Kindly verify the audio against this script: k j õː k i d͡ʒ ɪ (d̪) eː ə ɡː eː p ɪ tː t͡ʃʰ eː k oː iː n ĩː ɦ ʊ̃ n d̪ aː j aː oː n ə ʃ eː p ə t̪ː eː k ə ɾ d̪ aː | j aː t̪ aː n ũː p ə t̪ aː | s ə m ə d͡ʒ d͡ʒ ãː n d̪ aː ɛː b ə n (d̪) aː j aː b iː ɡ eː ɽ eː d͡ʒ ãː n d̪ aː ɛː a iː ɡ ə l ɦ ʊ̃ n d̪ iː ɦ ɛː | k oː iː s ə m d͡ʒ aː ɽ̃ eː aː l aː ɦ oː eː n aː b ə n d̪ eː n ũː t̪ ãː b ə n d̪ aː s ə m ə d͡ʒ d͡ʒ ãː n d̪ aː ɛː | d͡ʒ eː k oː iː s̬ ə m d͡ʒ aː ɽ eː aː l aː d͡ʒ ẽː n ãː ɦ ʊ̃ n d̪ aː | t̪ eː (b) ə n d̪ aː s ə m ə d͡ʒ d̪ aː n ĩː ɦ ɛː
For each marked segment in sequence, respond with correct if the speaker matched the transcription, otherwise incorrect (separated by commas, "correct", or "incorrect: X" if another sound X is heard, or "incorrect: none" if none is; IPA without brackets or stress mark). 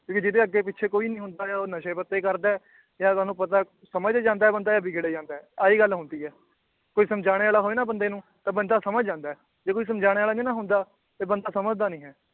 correct, correct, correct